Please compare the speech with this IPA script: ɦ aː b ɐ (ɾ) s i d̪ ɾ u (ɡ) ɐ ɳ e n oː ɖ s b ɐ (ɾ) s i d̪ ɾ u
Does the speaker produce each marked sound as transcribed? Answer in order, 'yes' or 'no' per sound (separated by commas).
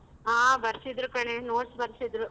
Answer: yes, no, yes